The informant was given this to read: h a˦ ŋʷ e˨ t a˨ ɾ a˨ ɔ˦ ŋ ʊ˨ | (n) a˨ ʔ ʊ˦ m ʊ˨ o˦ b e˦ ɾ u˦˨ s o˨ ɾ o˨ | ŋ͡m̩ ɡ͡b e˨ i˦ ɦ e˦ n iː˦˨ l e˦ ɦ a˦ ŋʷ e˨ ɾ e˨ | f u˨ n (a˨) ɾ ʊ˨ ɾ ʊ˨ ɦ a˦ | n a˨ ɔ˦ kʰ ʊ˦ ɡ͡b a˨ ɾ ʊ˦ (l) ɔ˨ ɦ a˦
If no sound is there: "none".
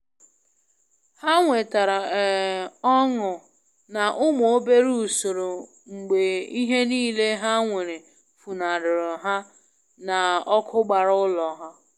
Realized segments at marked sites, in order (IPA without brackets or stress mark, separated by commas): n, a˨, l